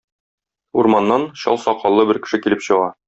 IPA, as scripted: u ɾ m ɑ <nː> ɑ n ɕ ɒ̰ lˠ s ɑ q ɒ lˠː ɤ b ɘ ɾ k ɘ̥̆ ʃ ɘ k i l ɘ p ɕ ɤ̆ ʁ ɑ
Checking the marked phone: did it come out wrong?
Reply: no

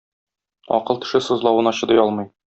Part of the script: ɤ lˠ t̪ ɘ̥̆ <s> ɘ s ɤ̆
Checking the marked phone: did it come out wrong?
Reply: yes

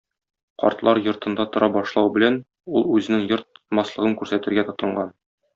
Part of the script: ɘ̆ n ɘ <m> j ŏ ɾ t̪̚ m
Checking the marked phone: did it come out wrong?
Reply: yes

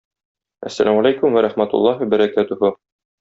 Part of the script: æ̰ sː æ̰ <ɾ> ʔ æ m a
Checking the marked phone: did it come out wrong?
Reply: yes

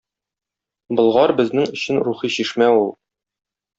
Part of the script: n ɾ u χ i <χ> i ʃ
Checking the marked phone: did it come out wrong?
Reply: yes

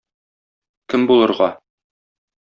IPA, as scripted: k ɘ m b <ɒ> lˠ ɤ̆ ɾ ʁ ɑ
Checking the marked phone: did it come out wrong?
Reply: yes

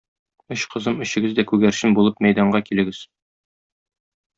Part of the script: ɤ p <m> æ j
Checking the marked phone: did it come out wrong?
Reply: no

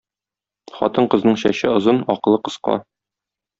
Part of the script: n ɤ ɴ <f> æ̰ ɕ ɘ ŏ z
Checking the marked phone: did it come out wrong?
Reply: yes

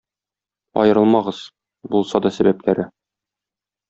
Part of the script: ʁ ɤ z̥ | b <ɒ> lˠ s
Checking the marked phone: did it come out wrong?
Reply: yes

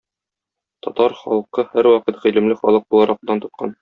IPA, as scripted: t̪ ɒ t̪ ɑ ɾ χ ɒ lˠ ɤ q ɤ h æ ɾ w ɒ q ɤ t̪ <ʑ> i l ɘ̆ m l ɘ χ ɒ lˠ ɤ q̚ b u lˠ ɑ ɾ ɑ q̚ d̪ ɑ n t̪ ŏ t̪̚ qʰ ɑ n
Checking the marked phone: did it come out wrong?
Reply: yes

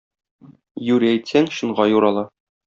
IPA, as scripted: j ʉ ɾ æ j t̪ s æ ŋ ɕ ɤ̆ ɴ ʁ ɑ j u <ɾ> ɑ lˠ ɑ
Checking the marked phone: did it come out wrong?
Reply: no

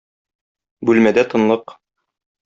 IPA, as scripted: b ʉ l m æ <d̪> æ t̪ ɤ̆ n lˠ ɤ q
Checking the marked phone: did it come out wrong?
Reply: no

